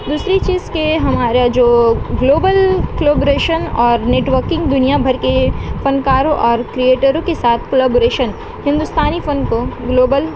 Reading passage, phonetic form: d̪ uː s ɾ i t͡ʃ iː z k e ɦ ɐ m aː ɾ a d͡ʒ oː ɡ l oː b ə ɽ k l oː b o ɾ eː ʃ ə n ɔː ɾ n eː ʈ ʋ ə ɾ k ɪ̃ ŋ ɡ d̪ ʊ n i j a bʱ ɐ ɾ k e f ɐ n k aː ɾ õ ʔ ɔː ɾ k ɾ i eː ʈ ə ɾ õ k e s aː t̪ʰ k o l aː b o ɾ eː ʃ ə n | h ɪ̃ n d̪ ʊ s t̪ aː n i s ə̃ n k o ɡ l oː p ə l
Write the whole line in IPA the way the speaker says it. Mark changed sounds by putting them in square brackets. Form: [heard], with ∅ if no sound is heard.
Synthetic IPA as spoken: d̪ uː s ɾ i t͡ʃ iː z k e ɦ ɐ m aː ɾ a d͡ʒ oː ɡ l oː b ə [l] k l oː b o ɾ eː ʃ ə n ɔː ɾ n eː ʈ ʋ ə ɾ k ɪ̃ ŋ ɡ d̪ ʊ n i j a bʱ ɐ ɾ k e f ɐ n k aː ɾ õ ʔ ɔː ɾ k ɾ i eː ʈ ə ɾ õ k e s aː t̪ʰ k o l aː b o ɾ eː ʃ ə n | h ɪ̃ n d̪ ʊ s t̪ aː n i [f] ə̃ n k o ɡ l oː [b] ə l

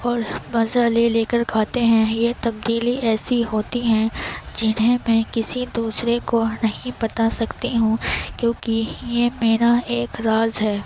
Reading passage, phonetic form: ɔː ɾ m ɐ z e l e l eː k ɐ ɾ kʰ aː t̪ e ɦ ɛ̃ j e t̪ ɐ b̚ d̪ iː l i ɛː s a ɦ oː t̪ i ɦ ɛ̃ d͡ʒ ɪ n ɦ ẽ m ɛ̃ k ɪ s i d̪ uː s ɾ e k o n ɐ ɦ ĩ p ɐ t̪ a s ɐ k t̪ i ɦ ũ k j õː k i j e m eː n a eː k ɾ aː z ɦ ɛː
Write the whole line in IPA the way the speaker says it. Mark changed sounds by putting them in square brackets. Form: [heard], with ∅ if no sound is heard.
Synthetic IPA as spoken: ɔː ɾ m ɐ z [a] l e l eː k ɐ ɾ kʰ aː t̪ e ɦ ɛ̃ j e t̪ ɐ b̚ d̪ iː l i ɛː s [i] ɦ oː t̪ i ɦ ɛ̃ d͡ʒ ɪ n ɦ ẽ m ɛ̃ k ɪ s i d̪ uː s ɾ e k o n ɐ ɦ ĩ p ɐ t̪ a s ɐ k t̪ i ɦ ũ k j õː k i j e m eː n a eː k ɾ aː z ɦ ɛː

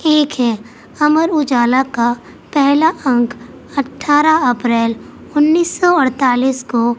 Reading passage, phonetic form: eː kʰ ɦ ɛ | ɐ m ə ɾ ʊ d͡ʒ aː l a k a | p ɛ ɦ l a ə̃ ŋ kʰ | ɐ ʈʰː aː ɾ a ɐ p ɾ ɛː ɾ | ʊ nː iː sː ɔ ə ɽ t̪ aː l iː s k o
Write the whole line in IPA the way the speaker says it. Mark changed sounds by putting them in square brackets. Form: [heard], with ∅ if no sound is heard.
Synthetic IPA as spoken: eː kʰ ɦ ɛ | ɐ m ə ɾ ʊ d͡ʒ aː l a k a | p ɛ ɦ l a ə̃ ŋ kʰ | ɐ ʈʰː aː ɾ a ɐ p ɾ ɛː [l] | ʊ nː iː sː ɔ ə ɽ t̪ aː l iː s k o

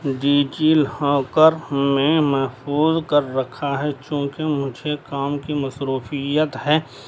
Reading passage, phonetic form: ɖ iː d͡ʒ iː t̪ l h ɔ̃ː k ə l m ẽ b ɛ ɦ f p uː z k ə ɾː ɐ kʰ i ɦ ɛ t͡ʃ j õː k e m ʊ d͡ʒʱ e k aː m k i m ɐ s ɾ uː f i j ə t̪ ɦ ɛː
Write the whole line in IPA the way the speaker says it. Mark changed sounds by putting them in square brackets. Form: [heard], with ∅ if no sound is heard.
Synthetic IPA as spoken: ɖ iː d͡ʒ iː [∅] l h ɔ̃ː k ə [ɾ] m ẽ [m] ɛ ɦ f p uː z k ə ɾː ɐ kʰ [a] ɦ ɛ t͡ʃ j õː k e m ʊ d͡ʒʱ e k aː m k i m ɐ s ɾ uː f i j ə t̪ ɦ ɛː

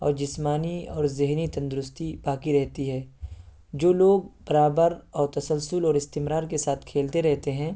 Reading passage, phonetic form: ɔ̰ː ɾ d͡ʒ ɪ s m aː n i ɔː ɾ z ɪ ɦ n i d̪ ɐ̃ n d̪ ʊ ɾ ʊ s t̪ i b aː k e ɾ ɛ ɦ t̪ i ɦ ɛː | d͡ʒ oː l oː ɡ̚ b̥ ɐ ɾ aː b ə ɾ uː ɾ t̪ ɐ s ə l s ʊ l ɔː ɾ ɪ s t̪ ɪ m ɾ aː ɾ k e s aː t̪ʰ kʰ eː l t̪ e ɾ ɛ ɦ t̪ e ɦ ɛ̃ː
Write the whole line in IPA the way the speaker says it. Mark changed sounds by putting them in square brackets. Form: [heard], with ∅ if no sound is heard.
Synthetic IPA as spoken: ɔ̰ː ɾ d͡ʒ ɪ s m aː n i ɔː ɾ z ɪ ɦ n i [t̪] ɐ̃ n d̪ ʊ ɾ ʊ s t̪ i b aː k [i] ɾ ɛ ɦ t̪ i ɦ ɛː | d͡ʒ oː l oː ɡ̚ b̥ ɐ ɾ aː b ə ɾ [ɔː] ɾ t̪ ɐ s ə l s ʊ l ɔː ɾ ɪ s t̪ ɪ m ɾ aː ɾ k e s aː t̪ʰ kʰ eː l t̪ e ɾ ɛ ɦ t̪ e ɦ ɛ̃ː

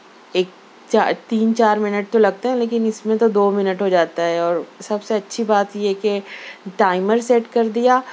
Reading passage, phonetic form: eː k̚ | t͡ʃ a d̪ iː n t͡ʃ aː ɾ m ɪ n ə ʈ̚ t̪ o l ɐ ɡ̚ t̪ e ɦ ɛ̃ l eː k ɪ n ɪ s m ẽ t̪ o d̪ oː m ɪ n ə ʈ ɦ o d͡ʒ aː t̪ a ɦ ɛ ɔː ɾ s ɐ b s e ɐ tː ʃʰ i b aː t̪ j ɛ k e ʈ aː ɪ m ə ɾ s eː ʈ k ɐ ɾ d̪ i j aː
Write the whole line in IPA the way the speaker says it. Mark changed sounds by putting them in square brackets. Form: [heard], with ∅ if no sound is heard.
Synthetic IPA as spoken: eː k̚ | t͡ʃ a [t̪] iː n t͡ʃ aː ɾ m ɪ n ə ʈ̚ t̪ o l ɐ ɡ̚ t̪ e ɦ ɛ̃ l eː k ɪ n ɪ s m ẽ t̪ o d̪ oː m ɪ n ə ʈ ɦ o d͡ʒ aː t̪ a ɦ ɛ ɔː ɾ s ɐ b s e ɐ tː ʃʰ i b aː t̪ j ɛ k e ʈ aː ɪ m ə ɾ s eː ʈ k ɐ ɾ d̪ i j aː

